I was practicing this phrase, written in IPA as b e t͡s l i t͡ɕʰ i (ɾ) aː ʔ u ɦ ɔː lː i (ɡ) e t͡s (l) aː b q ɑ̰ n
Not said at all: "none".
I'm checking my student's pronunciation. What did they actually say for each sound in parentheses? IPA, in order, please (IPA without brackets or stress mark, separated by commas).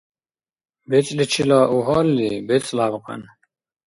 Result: l, b, l